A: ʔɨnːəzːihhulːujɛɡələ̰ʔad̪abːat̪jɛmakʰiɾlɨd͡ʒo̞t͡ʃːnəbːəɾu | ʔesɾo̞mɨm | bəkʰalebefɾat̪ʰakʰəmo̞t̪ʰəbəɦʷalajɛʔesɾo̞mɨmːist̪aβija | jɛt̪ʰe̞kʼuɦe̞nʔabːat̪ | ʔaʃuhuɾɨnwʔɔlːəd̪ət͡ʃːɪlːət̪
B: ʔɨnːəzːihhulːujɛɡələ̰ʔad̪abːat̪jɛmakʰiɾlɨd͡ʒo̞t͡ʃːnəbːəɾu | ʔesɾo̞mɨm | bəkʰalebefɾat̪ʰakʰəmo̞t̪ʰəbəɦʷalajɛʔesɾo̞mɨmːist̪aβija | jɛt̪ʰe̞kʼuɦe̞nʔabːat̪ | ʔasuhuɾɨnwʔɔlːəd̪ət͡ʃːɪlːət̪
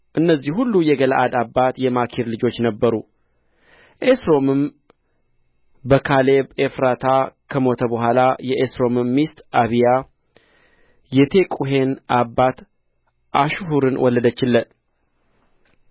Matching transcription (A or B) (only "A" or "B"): A